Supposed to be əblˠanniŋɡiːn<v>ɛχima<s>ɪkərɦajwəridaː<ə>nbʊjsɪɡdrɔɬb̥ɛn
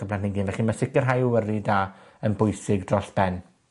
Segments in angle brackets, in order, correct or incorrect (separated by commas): correct, correct, correct